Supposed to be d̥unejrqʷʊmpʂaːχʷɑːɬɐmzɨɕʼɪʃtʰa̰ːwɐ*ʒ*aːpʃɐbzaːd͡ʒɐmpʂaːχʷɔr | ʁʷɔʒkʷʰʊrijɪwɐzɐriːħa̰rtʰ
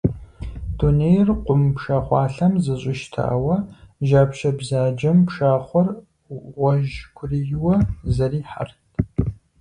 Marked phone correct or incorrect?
correct